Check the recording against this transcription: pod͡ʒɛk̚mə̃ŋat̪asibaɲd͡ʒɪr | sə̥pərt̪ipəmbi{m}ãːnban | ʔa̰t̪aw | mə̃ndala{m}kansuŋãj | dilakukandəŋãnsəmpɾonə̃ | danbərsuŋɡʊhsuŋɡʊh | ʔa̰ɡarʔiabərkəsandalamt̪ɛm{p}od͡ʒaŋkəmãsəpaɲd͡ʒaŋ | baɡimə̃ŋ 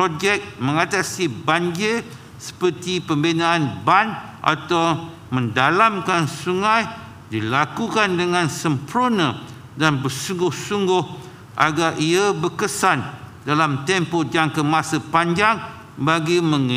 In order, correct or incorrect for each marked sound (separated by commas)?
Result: incorrect, correct, correct